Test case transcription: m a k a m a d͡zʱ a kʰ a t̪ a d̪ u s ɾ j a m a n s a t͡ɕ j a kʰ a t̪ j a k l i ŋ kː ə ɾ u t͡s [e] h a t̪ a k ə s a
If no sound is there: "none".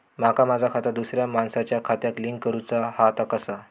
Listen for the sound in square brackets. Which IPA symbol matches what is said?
a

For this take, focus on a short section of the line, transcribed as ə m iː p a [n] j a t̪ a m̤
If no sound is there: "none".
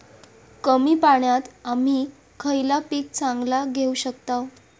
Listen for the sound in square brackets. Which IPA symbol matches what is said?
ɳ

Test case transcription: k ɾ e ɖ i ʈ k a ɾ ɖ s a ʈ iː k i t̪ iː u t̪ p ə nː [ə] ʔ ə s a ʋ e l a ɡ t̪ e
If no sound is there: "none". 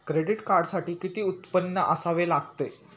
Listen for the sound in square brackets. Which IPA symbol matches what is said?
ə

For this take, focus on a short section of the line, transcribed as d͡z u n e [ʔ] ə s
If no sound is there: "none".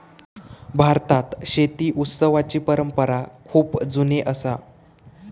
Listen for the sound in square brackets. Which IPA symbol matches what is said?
ʔ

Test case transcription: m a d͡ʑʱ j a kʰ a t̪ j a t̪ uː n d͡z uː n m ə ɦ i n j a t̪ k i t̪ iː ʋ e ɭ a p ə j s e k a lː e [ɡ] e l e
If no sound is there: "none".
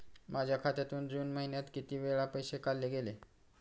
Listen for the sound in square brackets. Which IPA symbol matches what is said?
ɡ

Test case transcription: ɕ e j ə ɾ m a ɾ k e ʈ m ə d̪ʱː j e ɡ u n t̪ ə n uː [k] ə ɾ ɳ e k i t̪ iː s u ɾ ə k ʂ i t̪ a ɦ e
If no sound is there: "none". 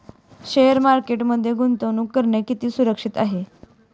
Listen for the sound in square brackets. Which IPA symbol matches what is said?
k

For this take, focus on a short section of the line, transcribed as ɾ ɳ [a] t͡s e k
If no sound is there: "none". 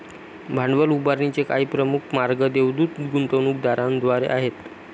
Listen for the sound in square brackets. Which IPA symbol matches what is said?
i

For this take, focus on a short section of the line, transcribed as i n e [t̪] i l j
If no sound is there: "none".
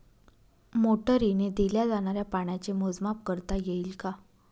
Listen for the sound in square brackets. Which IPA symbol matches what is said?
d̪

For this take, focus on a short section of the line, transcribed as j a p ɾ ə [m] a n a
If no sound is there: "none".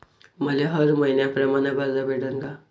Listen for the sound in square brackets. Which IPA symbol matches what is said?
m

